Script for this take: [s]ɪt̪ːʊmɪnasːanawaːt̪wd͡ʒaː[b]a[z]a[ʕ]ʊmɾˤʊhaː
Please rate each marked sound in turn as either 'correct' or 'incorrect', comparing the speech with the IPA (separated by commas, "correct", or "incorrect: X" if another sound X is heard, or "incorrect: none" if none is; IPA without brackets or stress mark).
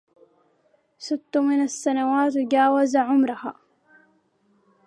correct, incorrect: w, correct, correct